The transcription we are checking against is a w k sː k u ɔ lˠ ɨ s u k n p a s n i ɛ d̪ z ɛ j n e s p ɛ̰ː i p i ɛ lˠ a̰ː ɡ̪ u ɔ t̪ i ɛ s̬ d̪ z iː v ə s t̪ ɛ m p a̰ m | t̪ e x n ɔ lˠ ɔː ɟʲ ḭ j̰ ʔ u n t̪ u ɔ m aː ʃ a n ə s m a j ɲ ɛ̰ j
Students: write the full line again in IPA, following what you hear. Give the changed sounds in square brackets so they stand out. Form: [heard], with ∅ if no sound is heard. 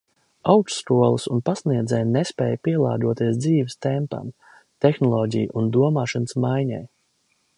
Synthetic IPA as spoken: a w k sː k u ɔ lˠ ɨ s u [∅] n p a s n i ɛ d̪ z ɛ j n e s p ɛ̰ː [j] p i ɛ lˠ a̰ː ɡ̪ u ɔ t̪ i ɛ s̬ d̪ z iː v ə s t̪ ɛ m p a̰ m | t̪ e x n ɔ lˠ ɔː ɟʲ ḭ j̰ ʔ u n [d̪] u ɔ m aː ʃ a n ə s m a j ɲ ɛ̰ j